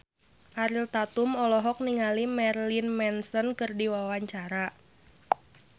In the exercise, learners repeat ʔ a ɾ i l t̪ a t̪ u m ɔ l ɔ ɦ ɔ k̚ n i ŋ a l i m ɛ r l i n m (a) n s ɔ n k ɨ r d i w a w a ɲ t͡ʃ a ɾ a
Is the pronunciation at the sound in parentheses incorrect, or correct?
incorrect: ɛ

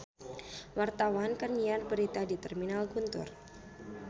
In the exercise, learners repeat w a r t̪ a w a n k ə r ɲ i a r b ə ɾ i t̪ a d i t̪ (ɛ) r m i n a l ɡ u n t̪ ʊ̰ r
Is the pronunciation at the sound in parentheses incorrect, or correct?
correct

